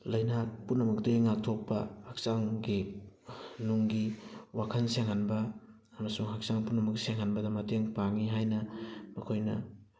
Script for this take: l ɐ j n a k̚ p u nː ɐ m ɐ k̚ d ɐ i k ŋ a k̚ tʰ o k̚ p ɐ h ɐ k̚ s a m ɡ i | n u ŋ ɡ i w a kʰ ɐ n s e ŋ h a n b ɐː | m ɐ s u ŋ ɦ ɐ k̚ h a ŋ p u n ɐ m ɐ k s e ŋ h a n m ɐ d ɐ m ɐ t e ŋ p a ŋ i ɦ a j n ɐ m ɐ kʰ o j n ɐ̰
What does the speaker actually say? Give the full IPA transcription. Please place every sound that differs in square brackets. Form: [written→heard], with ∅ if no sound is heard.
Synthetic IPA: l ɐ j n a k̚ p u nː ɐ m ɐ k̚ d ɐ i [k→∅] ŋ a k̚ tʰ o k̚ p ɐ h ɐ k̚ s a [m→ŋ] ɡ i | n u ŋ ɡ i w a kʰ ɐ n s e ŋ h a n b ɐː | m ɐ s u ŋ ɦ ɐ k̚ [h→s] a ŋ p u n ɐ m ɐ k s e ŋ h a n [m→b] ɐ d ɐ m ɐ t e ŋ p a ŋ i ɦ a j n ɐ m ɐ kʰ o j n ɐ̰